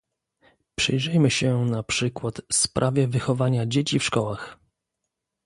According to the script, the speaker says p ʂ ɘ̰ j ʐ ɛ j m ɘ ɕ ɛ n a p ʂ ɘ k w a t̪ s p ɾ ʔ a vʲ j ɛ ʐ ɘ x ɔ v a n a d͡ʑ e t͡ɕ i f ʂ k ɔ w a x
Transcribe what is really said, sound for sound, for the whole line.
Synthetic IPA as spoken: p ʂ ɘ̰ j ʐ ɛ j m ɘ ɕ ɛ n a p ʂ ɘ k w a t̪ s p ɾ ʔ a vʲ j ɛ v ɘ x ɔ v a ɲ a d͡ʑ e t͡ɕ i f ʂ k ɔ w a x